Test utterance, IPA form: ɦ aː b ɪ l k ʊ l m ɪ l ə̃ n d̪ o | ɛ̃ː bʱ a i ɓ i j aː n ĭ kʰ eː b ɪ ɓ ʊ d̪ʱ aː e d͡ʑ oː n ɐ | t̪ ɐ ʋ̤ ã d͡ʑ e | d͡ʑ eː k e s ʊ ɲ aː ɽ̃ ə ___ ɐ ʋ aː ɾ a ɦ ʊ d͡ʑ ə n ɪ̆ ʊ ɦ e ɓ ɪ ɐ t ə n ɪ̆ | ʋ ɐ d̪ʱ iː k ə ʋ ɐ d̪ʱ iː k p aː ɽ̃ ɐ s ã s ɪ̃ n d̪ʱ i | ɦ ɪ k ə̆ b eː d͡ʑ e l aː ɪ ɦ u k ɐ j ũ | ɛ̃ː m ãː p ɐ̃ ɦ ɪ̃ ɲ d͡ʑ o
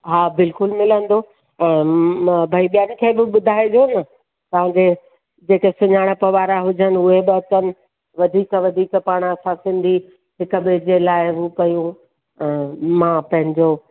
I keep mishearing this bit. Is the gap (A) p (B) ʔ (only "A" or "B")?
A